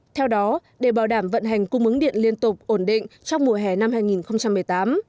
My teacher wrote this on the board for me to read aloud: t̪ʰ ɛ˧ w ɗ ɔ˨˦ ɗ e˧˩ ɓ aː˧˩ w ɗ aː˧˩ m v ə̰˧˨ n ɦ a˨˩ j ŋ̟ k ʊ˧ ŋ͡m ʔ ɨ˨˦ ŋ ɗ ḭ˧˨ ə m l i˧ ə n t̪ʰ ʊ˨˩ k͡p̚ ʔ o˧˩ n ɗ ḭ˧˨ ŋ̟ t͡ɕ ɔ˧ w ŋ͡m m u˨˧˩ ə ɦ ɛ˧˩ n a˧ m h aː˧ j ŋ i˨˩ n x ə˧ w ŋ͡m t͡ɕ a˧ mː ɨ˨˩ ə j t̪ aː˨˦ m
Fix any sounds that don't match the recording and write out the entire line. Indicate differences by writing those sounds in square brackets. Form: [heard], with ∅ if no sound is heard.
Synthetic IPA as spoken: t̪ʰ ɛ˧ w ɗ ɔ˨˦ ɗ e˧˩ ɓ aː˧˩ w ɗ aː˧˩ m v ə̰˧˨ n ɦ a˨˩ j ŋ̟ k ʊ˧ ŋ͡m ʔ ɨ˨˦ ŋ ɗ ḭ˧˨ ə [n] l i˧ ə n [t̪] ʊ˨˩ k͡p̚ ʔ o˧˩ n ɗ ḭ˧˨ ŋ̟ t͡ɕ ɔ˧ w ŋ͡m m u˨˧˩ ə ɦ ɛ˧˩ n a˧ m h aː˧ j ŋ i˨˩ n x ə˧ w ŋ͡m t͡ɕ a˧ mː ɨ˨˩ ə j t̪ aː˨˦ m